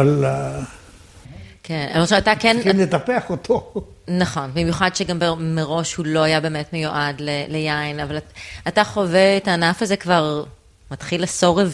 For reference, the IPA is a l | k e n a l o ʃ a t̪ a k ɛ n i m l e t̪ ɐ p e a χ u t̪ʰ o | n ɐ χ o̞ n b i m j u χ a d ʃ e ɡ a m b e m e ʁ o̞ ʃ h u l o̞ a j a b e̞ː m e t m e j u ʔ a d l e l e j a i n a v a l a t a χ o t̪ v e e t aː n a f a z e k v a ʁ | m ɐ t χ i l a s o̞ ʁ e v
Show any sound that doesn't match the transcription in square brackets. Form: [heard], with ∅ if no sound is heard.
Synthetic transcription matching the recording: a l | k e n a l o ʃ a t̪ a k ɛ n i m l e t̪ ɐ p e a χ [o] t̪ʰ o | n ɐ χ o̞ n b i m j u χ a d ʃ e ɡ a m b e m e ʁ o̞ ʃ h u l o̞ a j a b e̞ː m e t m e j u ʔ a d l e l e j a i n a v a l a t a χ o [∅] v e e t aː n a f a z e k v a ʁ | m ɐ t χ i l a s o̞ ʁ e v